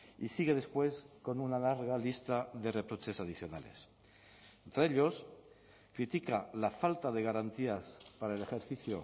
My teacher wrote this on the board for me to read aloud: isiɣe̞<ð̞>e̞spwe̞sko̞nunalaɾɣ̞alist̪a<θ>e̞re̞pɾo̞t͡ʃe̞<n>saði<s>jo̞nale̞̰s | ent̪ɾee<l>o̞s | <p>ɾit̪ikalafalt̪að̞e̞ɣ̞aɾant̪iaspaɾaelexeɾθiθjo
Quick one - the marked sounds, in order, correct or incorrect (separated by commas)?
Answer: correct, incorrect, incorrect, incorrect, incorrect, incorrect